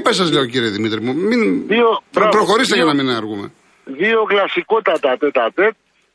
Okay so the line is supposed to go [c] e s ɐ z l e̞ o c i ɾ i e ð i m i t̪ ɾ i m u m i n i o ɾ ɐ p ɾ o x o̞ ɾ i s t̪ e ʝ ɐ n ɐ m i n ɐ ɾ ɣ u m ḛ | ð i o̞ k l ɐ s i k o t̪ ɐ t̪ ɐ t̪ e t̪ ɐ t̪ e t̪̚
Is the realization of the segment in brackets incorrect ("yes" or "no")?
yes